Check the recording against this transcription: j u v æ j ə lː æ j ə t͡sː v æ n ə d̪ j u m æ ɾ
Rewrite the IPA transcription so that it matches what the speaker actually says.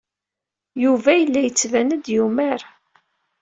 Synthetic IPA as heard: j u v æ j ə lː æ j ə t͡sː v æ n ə d̪ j u m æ ɾ